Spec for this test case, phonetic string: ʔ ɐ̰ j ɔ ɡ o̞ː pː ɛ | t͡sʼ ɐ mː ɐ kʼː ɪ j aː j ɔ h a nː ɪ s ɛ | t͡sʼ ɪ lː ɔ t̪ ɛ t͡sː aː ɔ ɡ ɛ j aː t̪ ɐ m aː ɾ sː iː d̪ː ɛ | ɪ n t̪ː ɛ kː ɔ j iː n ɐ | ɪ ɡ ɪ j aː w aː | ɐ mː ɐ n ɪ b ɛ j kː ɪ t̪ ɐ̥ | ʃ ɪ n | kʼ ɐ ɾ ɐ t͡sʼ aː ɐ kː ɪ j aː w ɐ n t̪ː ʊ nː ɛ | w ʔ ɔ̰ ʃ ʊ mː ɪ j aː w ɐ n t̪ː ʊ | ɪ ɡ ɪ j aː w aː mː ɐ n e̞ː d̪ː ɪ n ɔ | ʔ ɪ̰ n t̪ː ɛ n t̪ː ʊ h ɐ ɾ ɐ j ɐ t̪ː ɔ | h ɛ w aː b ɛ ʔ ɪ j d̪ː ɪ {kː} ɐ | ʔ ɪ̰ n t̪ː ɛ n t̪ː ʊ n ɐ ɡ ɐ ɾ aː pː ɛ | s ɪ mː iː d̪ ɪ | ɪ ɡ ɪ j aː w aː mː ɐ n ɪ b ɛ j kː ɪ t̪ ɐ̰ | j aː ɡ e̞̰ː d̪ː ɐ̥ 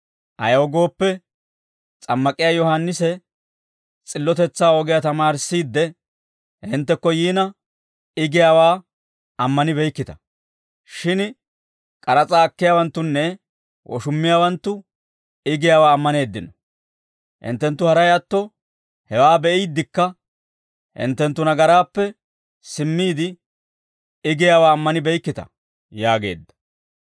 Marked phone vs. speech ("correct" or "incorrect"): correct